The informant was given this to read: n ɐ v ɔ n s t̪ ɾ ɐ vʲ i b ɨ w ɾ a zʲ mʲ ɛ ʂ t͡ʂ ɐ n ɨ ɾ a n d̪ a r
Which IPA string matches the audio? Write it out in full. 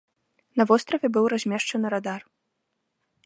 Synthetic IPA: n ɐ v ɔ s t̪ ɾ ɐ vʲ ɛ b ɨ w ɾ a zʲ mʲ ɛ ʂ t͡ʂ ɐ n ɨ ɾ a d̪ a r